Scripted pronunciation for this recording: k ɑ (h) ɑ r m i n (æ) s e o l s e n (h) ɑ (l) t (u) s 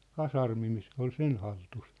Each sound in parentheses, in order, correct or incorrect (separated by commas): incorrect, incorrect, correct, correct, correct